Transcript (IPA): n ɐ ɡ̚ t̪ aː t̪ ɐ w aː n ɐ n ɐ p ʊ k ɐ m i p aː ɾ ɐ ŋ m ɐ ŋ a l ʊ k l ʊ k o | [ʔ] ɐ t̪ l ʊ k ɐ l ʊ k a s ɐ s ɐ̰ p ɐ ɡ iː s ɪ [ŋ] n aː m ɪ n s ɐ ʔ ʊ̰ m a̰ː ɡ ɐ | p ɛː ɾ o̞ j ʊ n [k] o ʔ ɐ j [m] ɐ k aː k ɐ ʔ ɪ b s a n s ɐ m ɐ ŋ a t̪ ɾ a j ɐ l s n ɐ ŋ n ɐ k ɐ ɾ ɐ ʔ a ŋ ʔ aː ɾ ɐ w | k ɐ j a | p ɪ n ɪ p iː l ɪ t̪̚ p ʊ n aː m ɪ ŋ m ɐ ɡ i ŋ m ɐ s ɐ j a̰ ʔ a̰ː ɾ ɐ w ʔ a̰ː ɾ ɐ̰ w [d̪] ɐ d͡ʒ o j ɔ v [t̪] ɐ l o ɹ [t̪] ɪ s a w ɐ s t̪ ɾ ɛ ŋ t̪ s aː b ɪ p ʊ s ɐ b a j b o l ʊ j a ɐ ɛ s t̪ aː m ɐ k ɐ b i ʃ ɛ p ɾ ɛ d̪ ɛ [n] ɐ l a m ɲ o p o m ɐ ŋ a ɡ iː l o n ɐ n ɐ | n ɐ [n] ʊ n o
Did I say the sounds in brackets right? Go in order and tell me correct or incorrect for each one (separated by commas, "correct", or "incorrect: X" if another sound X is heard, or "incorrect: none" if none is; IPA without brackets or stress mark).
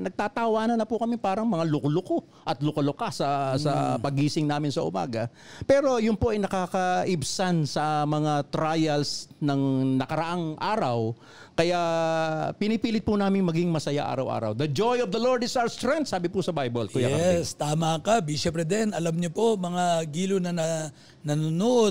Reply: correct, correct, incorrect: p, incorrect: n, correct, incorrect: d̪, incorrect: d̪, correct, correct